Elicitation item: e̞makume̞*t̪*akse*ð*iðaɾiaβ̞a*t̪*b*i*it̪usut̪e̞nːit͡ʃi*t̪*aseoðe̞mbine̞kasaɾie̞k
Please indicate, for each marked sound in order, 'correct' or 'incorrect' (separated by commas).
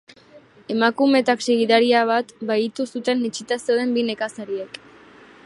correct, incorrect, correct, incorrect, correct